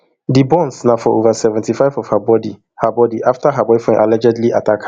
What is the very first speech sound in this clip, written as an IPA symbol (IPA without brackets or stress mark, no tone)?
d